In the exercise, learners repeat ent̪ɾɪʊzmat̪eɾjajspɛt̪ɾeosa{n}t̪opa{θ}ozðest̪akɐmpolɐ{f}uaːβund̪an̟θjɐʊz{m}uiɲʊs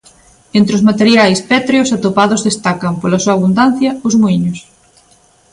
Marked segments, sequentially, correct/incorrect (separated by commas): incorrect, incorrect, incorrect, correct